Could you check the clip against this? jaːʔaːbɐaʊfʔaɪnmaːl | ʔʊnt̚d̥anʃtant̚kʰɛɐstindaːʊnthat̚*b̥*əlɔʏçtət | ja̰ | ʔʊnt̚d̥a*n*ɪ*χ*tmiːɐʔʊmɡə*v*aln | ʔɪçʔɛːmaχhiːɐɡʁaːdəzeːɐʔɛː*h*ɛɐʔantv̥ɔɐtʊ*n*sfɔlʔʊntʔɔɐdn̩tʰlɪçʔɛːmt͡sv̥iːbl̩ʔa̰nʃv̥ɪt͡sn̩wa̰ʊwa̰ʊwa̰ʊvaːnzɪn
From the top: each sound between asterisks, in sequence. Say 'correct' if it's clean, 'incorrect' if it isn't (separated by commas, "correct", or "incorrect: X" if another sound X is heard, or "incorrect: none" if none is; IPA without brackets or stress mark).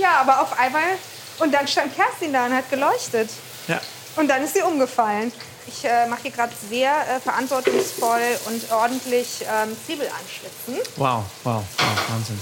incorrect: ɡ̥, correct, incorrect: s, incorrect: f, incorrect: f, incorrect: ŋ